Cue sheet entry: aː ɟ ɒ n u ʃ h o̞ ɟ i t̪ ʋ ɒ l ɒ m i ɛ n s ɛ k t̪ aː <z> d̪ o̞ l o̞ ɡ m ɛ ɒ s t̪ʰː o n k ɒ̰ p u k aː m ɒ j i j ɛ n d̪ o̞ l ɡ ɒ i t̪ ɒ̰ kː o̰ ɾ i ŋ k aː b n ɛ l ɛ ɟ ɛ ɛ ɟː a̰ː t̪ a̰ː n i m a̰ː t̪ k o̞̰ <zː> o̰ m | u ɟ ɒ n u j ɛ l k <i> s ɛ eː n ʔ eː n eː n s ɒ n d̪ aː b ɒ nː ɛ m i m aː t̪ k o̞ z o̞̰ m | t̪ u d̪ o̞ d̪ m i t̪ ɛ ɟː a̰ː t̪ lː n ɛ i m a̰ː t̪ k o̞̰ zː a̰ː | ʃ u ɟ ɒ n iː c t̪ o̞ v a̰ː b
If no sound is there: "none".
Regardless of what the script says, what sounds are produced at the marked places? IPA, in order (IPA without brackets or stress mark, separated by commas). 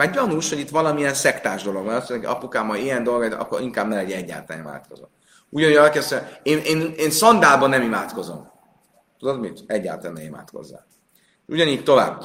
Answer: ʒ, z, ɛ